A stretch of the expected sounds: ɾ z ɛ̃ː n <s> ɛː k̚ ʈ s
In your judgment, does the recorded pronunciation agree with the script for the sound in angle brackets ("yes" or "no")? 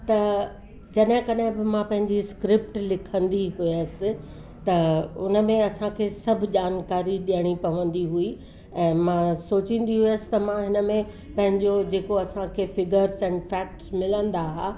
no